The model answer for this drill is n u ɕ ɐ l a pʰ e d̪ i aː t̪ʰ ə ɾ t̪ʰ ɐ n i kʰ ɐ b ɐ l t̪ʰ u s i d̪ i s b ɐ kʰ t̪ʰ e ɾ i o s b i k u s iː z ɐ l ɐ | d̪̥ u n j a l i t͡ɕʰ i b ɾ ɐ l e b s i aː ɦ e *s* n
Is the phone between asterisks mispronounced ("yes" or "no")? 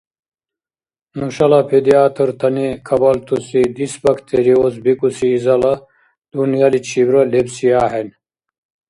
yes